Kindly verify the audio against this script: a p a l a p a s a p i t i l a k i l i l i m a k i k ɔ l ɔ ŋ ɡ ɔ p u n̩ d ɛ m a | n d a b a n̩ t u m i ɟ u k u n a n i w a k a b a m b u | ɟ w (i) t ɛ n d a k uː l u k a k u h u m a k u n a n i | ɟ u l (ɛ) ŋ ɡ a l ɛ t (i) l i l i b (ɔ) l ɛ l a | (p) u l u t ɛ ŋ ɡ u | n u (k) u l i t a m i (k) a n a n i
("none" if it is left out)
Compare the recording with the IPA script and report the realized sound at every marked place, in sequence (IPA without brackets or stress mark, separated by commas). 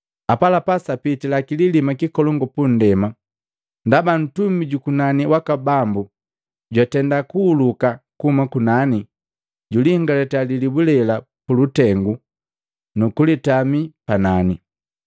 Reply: a, i, a, u, p, k, p